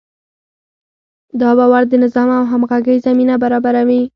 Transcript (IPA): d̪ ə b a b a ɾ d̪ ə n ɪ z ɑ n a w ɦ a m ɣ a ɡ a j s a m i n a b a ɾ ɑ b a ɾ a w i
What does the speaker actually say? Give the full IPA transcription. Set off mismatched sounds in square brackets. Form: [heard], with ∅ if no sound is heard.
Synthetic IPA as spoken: d̪ [ɑ] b a [w] a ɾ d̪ ə n ɪ z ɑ [m] a w ɦ a m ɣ a ɡ [ə] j [z] a m i n a b a ɾ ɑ b a ɾ a w i